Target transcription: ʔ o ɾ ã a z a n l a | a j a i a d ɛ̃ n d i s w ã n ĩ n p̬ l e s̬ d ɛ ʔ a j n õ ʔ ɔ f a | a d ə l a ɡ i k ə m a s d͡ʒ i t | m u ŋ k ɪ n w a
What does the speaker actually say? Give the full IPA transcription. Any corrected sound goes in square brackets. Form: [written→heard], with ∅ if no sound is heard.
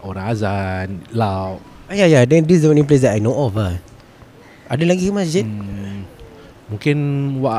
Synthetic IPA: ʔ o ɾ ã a z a n l a | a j a [i→j] a d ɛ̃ n d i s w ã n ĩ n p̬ l e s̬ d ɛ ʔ a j n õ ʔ ɔ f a | a d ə l a ɡ i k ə m a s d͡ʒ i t | m u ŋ k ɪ n w a